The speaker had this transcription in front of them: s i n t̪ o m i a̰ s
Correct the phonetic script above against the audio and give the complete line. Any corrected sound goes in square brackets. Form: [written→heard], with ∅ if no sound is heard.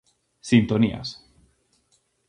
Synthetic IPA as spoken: s i n t̪ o [m→n] i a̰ s